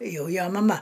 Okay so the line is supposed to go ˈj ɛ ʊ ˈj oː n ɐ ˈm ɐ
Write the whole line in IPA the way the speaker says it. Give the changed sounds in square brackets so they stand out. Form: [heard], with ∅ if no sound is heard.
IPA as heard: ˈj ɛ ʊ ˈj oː [m] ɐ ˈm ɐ